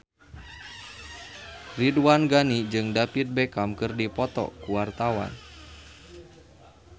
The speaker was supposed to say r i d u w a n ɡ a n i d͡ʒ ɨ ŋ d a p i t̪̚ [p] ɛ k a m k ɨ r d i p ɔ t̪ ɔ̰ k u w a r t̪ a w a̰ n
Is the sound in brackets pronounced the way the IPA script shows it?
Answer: no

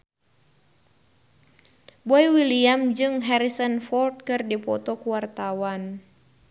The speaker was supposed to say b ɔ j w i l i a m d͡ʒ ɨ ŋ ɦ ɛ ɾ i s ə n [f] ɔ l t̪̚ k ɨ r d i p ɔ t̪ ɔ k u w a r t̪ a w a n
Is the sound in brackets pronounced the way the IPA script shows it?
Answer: yes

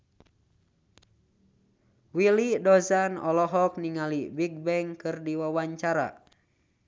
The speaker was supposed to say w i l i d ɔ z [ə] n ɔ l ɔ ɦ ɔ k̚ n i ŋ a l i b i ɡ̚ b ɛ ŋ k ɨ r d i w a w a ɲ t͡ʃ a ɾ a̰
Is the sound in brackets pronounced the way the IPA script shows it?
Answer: no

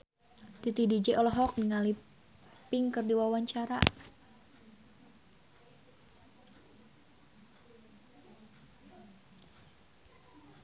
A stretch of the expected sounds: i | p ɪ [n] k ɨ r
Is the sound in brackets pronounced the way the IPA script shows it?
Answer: no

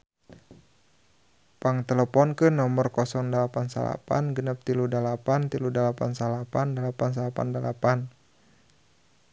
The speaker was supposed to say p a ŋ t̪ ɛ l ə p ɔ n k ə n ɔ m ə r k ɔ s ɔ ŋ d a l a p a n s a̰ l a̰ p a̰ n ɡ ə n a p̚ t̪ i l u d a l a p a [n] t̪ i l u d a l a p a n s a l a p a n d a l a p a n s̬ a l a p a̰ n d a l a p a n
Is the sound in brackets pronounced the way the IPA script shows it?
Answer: yes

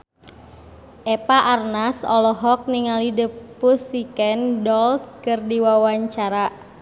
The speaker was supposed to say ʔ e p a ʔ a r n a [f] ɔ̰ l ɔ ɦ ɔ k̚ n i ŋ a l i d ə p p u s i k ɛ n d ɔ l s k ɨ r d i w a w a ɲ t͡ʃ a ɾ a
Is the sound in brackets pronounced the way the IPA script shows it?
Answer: no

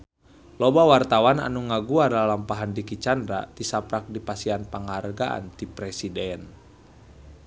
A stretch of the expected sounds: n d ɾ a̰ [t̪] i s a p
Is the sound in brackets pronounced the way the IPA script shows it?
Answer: yes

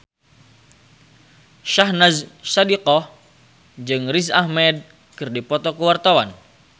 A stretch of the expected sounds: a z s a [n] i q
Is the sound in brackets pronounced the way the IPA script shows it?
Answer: no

